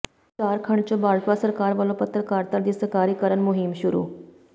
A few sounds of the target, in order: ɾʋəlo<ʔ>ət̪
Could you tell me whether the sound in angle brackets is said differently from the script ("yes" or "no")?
yes